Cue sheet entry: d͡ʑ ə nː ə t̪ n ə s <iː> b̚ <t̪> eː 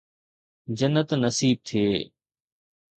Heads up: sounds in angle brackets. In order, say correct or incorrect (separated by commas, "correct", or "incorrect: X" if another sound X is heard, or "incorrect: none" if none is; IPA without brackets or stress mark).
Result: correct, incorrect: t̪ʰ